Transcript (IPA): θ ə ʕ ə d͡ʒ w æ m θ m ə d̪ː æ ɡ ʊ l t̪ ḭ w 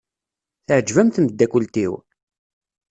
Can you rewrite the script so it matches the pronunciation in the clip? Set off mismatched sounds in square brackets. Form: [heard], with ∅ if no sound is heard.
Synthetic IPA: θ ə ʕ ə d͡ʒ [v] æ m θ m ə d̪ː æ [k] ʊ l t̪ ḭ w